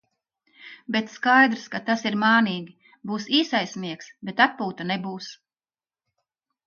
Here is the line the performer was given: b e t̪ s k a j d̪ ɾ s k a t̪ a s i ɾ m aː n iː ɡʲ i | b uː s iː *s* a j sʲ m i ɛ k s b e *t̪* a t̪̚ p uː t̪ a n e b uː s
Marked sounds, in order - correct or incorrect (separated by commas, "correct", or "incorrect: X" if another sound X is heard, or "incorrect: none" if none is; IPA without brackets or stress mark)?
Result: correct, correct